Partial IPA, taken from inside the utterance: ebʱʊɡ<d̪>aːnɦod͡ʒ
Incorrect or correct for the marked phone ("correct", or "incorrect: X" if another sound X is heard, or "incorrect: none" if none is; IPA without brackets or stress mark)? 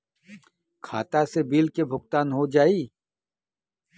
incorrect: t̪